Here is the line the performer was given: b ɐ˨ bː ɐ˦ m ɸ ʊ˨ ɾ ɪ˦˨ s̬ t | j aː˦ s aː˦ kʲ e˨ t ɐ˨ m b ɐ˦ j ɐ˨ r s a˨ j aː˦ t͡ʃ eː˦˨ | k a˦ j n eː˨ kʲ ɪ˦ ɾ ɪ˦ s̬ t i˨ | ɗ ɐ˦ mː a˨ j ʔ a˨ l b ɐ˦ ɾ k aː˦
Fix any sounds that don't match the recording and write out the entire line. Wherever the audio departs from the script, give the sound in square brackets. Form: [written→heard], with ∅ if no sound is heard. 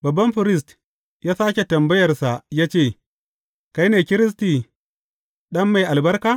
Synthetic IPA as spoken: b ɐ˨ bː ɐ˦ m ɸ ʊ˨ ɾ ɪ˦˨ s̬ t | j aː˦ s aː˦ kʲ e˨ t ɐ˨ m b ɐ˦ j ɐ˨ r s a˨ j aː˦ t͡ʃ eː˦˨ | k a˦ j n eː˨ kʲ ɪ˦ ɾ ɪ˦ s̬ t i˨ | ɗ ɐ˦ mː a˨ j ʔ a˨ l b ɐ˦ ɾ k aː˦